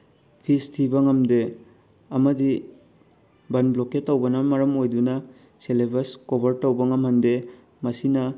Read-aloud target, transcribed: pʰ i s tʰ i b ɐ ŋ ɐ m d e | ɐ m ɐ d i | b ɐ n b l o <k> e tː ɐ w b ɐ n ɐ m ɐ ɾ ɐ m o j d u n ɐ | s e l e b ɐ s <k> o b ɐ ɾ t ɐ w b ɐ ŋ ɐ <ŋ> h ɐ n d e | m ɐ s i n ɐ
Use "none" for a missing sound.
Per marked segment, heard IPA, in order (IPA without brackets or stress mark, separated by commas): k, k, m